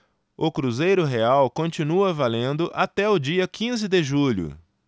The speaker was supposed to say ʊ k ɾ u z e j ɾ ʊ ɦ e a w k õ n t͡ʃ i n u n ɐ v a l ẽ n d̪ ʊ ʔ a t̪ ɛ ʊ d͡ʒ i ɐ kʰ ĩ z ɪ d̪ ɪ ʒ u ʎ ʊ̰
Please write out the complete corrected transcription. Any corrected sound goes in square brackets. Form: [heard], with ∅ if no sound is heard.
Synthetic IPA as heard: ʊ k ɾ u z e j ɾ ʊ ɦ e a w k õ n t͡ʃ i n u [∅] ɐ v a l ẽ n d̪ ʊ ʔ a t̪ ɛ ʊ d͡ʒ i ɐ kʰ ĩ z ɪ d̪ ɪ ʒ u ʎ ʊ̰